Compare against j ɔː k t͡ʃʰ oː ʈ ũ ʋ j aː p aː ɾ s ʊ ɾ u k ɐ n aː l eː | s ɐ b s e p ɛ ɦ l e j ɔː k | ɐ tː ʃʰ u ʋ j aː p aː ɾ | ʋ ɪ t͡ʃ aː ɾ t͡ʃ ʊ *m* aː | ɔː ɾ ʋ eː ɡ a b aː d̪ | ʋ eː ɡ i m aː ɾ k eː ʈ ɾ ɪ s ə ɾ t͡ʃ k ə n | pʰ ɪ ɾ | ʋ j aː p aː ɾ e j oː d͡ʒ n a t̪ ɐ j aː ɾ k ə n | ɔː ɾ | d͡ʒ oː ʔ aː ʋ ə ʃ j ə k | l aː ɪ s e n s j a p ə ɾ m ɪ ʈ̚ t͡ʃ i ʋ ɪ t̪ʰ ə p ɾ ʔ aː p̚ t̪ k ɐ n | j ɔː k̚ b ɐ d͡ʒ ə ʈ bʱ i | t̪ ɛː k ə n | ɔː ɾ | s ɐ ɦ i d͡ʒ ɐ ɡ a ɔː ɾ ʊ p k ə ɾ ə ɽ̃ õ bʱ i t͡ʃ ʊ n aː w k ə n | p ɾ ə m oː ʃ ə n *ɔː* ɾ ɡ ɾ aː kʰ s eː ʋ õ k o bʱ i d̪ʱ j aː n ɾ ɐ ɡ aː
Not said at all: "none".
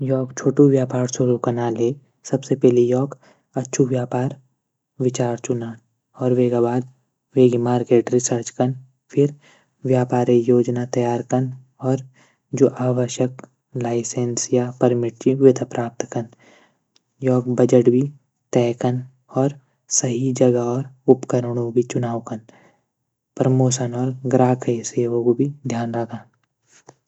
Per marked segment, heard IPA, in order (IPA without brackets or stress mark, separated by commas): n, ɔː